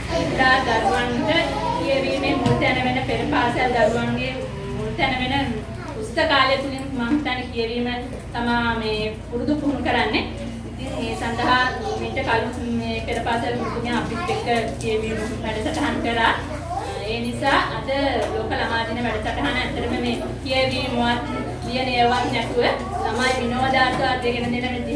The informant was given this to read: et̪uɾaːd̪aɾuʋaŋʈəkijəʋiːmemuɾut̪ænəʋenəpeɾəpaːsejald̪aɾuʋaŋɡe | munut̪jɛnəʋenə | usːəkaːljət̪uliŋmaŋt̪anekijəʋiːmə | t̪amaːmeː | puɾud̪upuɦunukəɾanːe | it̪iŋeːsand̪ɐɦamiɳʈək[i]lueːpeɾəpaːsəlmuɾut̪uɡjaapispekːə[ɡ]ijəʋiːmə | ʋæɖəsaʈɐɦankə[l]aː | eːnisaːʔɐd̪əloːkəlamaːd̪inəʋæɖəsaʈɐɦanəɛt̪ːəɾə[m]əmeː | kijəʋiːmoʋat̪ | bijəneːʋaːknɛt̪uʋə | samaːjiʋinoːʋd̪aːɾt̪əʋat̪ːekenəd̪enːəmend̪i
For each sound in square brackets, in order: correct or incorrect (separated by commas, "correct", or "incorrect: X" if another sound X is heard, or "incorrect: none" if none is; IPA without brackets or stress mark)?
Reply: incorrect: a, incorrect: k, incorrect: ɾ, correct